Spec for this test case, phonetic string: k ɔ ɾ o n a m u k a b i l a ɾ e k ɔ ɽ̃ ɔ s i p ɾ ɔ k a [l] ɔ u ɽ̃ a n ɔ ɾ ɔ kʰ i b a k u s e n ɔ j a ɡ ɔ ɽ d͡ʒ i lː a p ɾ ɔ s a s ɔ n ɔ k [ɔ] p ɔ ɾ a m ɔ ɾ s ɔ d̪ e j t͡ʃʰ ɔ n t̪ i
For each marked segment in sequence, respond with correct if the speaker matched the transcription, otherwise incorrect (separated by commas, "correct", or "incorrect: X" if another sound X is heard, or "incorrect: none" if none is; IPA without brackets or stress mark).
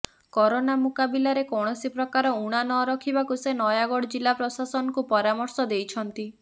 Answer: incorrect: ɾ, incorrect: u